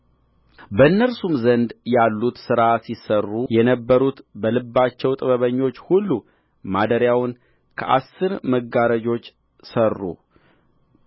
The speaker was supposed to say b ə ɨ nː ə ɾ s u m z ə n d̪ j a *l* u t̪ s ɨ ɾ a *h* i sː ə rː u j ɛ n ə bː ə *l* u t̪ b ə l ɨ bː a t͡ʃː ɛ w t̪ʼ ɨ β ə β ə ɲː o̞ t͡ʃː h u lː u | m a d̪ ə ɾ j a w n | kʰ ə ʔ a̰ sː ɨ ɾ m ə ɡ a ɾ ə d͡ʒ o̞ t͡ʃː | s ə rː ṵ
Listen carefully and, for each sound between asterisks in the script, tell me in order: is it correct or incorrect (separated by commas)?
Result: incorrect, incorrect, incorrect